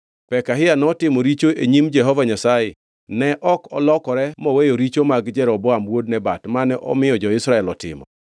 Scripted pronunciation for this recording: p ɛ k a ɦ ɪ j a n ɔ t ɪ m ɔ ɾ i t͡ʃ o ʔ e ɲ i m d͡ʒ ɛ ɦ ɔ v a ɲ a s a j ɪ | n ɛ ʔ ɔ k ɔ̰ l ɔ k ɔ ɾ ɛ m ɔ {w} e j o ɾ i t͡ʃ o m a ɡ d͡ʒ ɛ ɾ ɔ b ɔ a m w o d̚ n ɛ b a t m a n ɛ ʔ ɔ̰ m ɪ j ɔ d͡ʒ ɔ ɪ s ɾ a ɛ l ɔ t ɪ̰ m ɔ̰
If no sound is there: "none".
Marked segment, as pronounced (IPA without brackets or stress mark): w